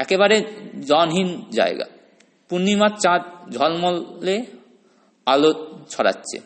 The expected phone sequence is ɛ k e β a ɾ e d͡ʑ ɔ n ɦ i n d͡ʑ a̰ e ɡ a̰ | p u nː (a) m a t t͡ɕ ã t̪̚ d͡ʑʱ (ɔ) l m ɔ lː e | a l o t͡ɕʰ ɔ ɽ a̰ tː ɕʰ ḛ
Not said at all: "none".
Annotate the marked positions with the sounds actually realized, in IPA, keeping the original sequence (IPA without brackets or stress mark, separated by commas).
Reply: i, ɔ